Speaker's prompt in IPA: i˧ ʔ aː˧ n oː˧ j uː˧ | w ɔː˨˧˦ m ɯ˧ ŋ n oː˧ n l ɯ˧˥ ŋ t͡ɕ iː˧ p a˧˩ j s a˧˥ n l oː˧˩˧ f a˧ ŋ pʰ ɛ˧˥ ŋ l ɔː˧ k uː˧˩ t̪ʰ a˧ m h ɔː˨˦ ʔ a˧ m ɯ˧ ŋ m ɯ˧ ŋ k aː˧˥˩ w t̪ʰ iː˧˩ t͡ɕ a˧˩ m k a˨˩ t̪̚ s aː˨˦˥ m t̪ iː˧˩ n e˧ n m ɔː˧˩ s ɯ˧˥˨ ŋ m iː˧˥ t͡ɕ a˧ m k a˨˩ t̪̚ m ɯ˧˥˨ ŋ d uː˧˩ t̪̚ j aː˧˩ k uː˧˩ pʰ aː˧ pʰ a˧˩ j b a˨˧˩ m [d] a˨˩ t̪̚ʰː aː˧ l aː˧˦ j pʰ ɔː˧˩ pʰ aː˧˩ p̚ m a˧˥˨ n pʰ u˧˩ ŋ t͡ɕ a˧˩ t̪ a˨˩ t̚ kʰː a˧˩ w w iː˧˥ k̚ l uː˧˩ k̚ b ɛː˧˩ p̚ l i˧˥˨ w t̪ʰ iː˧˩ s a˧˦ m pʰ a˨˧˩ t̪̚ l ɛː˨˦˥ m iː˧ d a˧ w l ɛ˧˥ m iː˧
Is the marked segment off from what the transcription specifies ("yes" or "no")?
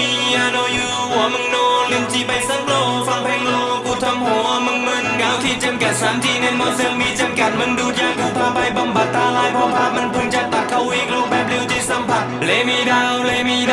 yes